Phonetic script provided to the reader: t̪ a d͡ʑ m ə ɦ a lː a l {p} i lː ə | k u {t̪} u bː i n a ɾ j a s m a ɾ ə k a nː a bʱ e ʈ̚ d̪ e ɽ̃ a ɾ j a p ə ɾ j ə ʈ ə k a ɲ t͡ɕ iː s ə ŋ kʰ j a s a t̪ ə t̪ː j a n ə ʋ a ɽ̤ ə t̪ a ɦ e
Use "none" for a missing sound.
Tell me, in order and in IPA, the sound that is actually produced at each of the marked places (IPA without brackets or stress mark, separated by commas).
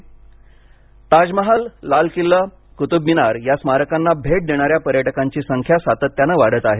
k, t̪